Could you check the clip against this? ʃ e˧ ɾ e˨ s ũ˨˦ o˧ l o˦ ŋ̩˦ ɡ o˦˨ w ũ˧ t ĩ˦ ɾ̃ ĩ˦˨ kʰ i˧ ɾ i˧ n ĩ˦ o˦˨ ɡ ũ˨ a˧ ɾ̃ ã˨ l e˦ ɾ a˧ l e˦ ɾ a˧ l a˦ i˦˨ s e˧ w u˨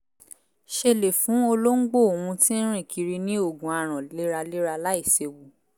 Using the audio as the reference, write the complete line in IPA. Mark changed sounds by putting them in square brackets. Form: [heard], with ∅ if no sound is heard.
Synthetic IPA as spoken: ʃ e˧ [l] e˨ [f] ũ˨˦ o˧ l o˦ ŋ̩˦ [ɡ͡b] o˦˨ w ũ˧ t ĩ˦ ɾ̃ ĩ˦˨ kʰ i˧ ɾ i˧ n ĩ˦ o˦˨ ɡ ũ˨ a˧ ɾ̃ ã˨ l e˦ ɾ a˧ l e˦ ɾ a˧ l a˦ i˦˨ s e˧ w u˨